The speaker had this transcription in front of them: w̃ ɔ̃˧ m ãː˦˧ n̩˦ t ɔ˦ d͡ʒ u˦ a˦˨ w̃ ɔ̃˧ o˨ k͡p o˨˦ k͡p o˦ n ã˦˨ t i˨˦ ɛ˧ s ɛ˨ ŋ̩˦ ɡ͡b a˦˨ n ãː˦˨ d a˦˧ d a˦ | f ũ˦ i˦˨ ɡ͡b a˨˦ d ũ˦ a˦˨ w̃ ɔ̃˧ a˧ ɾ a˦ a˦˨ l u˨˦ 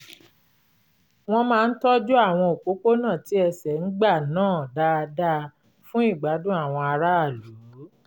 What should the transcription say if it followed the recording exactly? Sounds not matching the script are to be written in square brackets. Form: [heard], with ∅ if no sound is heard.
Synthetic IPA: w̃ ɔ̃˧ m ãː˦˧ n̩˦ t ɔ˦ d͡ʒ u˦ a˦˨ w̃ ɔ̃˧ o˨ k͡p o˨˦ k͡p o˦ n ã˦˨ t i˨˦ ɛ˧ s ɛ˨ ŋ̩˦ ɡ͡b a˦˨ n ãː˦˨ d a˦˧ d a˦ | f ũ˦ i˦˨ ɡ͡b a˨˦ d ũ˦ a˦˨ w̃ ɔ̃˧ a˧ ɾ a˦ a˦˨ l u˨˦

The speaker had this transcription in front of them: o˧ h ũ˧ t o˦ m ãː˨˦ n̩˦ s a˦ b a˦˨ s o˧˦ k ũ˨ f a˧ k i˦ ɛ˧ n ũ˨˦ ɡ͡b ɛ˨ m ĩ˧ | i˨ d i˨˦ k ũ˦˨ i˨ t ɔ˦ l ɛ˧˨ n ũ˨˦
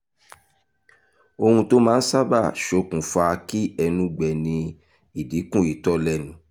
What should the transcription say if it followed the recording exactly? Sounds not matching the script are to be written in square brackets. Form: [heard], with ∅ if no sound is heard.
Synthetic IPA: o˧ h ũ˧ t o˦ m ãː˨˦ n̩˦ s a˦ b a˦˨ [ʃ] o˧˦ k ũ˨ f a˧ k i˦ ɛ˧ n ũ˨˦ ɡ͡b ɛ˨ [n] ĩ˧ | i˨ d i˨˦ k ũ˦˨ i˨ t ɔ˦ l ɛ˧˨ n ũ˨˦

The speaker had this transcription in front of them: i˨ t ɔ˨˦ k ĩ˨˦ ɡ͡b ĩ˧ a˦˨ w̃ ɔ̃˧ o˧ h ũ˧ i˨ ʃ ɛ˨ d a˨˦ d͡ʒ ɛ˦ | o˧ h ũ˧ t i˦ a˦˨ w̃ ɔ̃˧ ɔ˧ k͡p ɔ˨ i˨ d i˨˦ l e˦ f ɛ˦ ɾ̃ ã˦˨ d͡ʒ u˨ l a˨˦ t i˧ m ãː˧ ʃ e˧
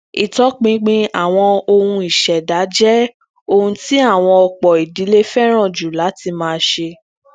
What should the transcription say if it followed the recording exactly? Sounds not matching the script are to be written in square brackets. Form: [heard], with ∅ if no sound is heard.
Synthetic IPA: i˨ t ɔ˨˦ [k͡p] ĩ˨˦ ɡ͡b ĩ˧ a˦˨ w̃ ɔ̃˧ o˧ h ũ˧ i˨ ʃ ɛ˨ d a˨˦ d͡ʒ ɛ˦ | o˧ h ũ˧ t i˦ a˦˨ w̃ ɔ̃˧ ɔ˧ k͡p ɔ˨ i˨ d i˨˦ l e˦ f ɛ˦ ɾ̃ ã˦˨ d͡ʒ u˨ l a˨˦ t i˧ m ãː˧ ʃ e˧

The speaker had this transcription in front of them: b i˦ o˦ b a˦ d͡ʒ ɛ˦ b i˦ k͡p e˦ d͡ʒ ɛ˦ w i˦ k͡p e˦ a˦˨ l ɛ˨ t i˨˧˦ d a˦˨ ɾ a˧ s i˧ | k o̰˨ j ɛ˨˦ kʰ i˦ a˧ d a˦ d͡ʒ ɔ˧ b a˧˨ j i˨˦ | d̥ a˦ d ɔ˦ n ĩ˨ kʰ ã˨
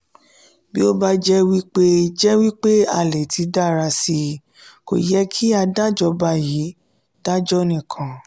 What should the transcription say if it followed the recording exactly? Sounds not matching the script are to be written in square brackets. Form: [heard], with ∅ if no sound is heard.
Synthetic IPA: b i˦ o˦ b a˦ d͡ʒ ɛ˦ [w] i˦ k͡p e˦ d͡ʒ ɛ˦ w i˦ k͡p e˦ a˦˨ l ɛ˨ t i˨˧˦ d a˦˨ ɾ a˧ s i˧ | k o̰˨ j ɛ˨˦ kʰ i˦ a˧ d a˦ d͡ʒ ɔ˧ b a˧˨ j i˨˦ | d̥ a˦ [d͡ʒ] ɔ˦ n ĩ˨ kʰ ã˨

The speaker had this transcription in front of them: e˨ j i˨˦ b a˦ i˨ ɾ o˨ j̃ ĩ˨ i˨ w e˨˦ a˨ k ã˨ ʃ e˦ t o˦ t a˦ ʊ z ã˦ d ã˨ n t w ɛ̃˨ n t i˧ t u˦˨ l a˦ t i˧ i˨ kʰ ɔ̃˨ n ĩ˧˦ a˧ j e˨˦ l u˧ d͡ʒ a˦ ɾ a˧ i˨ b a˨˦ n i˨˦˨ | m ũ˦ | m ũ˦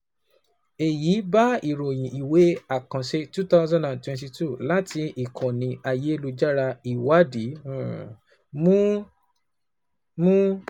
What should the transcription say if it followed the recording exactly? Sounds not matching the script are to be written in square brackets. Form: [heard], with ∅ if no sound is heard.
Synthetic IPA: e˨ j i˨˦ b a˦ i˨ ɾ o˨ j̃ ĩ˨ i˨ w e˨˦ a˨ k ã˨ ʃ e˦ t [u˦] t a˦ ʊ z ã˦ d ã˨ n t w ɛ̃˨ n t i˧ t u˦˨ l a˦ t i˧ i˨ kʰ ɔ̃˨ n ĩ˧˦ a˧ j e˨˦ l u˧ d͡ʒ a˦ ɾ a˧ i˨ [w] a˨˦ [d] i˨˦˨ | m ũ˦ | m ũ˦

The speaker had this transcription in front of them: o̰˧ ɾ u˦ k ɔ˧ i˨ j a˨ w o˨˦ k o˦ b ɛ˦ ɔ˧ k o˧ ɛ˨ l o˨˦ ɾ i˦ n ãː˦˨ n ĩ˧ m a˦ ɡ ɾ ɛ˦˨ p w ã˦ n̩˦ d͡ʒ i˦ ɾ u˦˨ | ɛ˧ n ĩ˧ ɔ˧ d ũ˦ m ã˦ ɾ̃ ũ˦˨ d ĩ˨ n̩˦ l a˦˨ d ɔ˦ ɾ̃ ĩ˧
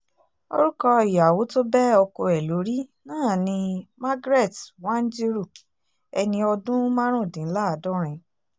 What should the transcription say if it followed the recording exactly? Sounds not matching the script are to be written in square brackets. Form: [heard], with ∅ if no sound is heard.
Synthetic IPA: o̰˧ ɾ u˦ k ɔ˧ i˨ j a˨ w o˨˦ [t] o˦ b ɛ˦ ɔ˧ k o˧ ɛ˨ l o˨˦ ɾ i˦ n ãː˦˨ n ĩ˧ m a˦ ɡ ɾ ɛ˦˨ [t] w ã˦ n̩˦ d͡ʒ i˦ ɾ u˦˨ | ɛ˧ n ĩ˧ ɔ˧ d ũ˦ m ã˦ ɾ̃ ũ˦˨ d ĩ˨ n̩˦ l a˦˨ d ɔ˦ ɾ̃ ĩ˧

